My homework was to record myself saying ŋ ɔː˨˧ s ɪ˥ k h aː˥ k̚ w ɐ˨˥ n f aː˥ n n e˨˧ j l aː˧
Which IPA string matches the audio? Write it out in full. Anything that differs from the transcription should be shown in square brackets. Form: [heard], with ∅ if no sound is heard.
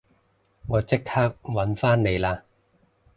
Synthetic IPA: ŋ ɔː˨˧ [t͡s] ɪ˥ k h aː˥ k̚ w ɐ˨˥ n f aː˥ n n e˨˧ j l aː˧